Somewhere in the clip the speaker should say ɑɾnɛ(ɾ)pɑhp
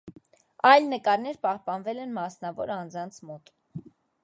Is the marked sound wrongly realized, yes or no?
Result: no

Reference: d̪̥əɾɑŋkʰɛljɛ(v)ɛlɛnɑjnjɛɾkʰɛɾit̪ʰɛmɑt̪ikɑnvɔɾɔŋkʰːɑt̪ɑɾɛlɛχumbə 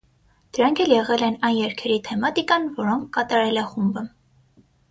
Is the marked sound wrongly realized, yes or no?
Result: yes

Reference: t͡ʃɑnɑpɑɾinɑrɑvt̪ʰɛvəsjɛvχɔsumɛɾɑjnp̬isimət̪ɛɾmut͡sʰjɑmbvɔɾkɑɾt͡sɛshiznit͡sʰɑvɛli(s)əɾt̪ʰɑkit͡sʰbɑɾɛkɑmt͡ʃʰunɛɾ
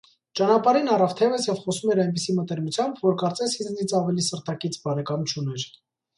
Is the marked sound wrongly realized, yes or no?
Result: no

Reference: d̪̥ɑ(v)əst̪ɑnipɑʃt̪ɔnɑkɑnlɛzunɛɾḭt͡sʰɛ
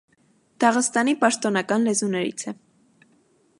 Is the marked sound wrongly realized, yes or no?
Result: yes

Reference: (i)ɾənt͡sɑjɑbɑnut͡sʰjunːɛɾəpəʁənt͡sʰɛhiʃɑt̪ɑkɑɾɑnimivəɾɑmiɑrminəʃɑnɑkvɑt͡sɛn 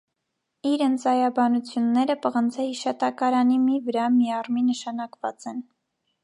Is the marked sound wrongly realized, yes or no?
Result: no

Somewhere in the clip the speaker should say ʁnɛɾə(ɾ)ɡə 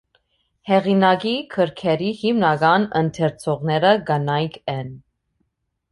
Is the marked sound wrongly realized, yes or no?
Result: yes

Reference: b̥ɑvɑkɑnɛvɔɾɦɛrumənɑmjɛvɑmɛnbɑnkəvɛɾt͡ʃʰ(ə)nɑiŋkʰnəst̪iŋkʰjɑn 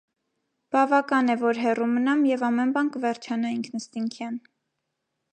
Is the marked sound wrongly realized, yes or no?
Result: yes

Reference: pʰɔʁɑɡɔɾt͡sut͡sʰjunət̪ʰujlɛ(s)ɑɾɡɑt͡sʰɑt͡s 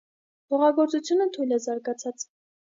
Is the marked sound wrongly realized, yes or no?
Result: yes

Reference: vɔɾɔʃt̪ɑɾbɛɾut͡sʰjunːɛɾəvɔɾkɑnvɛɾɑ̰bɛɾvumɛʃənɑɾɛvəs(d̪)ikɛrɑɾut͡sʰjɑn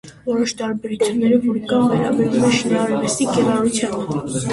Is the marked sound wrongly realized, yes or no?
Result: yes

